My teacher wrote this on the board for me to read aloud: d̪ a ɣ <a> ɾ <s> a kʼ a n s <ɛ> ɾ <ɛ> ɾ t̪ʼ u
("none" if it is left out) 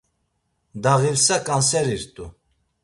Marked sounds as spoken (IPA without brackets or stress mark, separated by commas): i, s, ɛ, i